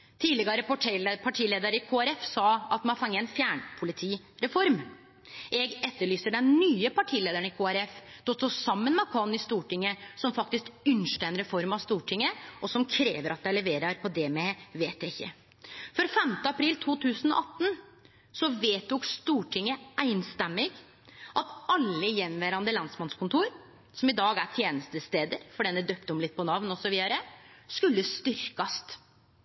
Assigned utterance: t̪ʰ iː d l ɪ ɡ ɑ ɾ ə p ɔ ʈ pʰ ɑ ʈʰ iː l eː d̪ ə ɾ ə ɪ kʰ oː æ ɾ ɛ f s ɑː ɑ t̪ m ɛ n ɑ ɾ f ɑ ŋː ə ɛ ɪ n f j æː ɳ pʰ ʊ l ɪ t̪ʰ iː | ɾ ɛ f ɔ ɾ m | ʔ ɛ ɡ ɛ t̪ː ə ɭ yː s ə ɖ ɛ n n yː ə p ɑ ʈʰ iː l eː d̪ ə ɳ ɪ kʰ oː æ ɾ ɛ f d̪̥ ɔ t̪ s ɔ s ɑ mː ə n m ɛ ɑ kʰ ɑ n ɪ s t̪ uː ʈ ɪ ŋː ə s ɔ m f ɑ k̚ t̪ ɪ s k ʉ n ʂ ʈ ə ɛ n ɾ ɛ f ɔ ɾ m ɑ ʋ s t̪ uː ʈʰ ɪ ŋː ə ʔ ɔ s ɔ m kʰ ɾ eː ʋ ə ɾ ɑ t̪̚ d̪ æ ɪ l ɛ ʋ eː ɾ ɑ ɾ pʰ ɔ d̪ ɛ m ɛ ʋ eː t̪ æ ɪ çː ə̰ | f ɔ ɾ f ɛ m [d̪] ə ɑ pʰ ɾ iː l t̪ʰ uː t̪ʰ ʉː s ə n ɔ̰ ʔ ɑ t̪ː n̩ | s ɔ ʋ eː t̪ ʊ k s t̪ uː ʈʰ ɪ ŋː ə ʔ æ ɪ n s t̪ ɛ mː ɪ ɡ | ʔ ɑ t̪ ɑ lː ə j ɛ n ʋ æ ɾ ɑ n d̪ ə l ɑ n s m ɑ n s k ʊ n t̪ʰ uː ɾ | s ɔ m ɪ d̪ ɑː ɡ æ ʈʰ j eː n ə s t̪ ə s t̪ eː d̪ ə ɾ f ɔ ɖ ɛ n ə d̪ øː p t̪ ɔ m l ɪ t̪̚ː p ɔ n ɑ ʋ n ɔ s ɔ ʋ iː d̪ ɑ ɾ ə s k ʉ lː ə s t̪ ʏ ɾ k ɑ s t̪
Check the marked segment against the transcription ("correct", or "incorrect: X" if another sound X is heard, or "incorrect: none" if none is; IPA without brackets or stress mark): incorrect: t̪